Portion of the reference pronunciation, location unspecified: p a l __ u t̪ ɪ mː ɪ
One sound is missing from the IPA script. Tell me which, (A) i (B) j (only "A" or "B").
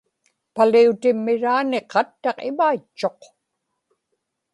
A